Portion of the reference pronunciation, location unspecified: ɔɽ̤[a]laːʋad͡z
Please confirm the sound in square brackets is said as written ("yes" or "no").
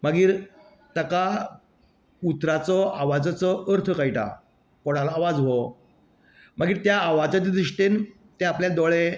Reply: yes